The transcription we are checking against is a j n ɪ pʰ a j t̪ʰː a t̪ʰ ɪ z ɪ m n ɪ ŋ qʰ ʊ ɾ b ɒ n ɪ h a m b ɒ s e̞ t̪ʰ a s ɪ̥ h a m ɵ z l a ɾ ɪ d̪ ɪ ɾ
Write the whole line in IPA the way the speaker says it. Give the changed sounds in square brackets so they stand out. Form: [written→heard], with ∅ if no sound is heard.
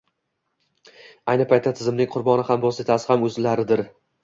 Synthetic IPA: a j n ɪ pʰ a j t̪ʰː a t̪ʰ ɪ z ɪ m n ɪ ŋ qʰ ʊ ɾ b ɒ n ɪ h a m b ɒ s e̞ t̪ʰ a s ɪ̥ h a m ɵ z l a ɾ ɪ d̪ ɪ ɾ